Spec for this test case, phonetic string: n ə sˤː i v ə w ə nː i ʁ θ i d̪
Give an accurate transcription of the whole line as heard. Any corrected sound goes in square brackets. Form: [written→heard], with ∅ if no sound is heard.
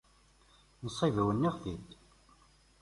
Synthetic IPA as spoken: n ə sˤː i v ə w ə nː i ʁ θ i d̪